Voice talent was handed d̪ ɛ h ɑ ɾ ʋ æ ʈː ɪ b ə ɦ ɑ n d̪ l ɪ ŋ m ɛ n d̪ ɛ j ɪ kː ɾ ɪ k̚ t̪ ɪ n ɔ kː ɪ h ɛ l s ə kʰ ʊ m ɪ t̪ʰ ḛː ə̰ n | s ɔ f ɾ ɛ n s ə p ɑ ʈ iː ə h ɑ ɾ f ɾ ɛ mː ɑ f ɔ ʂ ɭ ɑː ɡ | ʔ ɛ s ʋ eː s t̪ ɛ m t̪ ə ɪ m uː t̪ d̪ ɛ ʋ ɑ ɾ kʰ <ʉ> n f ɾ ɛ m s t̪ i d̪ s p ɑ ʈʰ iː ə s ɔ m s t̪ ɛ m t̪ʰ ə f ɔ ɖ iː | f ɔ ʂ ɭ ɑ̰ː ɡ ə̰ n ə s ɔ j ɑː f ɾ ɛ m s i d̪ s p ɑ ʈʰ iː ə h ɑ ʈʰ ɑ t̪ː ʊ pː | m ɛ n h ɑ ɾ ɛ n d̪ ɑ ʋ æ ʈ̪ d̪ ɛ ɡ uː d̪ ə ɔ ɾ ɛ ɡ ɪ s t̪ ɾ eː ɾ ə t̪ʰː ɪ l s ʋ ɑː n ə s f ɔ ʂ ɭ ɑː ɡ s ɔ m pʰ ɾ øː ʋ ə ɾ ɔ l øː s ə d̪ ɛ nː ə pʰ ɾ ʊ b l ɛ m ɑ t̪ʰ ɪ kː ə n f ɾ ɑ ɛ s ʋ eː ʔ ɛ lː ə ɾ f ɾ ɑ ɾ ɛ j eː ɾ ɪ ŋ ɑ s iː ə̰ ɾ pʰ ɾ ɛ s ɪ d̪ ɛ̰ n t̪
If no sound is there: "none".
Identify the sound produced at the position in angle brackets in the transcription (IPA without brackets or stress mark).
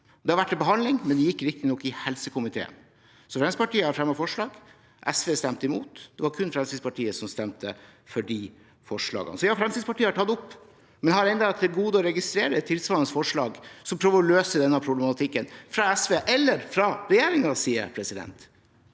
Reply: ʉ